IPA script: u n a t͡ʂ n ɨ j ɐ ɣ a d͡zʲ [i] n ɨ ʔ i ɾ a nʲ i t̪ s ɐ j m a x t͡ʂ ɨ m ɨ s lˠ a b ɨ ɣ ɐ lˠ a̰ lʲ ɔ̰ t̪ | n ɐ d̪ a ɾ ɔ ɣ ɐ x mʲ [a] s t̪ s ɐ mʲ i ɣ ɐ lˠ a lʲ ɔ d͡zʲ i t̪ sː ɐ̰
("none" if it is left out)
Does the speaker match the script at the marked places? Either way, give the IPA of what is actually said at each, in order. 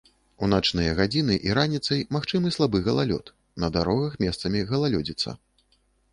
i, ɛ

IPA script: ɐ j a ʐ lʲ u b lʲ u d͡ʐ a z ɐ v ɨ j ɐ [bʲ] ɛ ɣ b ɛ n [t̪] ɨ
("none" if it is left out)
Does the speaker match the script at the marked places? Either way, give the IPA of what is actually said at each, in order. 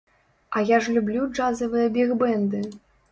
bʲ, d̪

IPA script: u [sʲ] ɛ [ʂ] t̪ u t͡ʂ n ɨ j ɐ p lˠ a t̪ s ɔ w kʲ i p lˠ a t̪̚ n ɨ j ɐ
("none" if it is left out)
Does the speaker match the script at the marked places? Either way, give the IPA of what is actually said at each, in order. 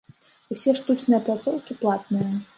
sʲ, ʂ

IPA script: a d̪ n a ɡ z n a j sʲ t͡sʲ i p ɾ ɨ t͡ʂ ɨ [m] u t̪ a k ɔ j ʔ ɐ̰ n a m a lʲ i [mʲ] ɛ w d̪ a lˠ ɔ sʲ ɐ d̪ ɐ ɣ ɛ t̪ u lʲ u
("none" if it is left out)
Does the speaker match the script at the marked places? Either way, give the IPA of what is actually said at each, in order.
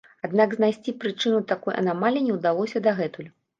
n, nʲ

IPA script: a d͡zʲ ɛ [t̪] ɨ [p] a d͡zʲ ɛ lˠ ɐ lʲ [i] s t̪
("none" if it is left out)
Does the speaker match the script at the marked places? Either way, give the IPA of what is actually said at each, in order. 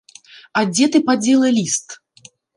t̪, p, i

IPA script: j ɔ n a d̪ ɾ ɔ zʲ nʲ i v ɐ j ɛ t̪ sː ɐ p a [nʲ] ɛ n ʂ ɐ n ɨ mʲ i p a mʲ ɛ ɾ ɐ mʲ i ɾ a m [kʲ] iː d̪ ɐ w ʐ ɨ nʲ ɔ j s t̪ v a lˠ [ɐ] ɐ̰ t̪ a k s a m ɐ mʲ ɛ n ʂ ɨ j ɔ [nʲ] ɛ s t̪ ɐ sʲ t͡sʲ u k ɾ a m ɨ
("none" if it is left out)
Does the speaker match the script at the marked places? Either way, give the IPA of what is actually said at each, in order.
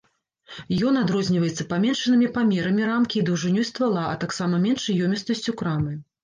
mʲ, kʲ, a, mʲ

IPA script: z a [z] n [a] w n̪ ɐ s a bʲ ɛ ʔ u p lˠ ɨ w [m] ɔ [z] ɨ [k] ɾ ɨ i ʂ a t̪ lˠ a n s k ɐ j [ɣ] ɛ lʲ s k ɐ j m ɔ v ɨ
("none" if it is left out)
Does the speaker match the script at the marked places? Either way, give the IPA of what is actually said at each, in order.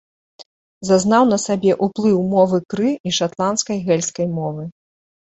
z, a, m, v, k, ɣ

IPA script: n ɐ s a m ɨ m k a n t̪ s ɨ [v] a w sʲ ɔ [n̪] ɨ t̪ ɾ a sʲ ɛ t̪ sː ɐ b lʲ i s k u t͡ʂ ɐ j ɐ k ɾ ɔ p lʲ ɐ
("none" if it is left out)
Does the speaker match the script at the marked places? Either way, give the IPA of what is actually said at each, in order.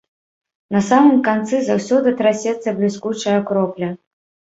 z, d̪

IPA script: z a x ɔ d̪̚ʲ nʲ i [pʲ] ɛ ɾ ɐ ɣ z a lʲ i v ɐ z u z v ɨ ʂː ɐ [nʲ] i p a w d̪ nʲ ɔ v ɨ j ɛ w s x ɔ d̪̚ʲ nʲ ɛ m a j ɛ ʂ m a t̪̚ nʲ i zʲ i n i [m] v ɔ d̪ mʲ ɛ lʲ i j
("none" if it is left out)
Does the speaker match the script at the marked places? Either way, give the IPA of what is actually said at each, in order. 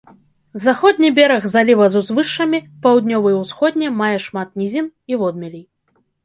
bʲ, mʲ, none

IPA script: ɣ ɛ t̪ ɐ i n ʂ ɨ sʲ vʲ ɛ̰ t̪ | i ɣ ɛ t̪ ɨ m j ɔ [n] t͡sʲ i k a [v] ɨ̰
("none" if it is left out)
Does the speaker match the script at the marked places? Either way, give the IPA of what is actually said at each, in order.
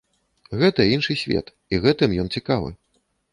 n, v

